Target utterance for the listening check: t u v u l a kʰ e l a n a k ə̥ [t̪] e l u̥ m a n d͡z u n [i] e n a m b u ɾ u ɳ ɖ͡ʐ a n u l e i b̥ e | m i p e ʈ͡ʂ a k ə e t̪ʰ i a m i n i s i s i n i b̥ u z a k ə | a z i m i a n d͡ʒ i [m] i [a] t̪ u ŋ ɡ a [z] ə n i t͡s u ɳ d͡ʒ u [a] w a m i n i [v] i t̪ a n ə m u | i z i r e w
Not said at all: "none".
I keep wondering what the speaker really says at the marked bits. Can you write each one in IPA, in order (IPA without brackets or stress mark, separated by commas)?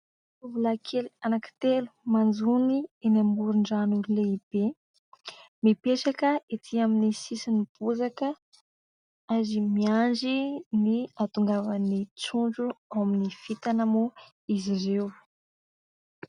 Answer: t̪, i, n, a, v, a, f